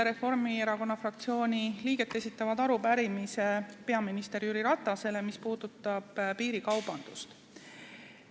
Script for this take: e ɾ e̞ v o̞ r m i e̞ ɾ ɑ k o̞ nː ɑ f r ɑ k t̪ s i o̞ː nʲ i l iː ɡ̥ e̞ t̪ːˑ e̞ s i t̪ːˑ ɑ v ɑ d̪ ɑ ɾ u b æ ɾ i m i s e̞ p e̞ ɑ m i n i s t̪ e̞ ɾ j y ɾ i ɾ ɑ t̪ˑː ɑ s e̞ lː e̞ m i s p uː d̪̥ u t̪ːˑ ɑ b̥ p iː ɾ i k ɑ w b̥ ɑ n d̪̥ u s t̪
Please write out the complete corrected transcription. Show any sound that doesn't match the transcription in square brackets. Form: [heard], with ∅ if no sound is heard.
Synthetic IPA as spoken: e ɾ e̞ [f] o̞ r m i e̞ ɾ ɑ k o̞ nː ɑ f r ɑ k t̪ s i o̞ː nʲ i l iː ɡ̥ e̞ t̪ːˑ e̞ s i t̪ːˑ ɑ v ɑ d̪ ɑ ɾ u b æ ɾ i m i s e̞ p e̞ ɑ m i n i s t̪ e̞ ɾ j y ɾ i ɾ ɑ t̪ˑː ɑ s e̞ [l] e̞ m i s p uː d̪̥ u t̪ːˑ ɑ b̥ p iː ɾ i k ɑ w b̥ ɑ n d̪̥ u s t̪